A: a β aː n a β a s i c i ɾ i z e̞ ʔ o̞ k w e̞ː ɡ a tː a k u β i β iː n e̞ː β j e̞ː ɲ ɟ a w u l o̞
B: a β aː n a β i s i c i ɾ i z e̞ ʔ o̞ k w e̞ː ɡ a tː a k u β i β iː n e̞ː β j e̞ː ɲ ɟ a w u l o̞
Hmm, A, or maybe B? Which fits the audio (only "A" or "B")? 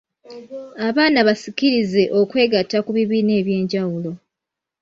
A